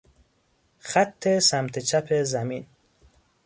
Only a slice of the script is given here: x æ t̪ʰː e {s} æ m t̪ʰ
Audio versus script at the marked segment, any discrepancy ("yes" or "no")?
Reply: no